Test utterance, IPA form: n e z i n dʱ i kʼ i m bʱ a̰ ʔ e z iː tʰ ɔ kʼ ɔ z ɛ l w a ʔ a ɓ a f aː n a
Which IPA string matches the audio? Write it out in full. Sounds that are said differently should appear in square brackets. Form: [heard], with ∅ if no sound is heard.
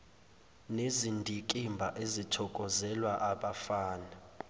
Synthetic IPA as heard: n e z i n dʱ i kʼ i m bʱ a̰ ʔ e z [i] tʰ ɔ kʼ ɔ z ɛ l w a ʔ a ɓ a f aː n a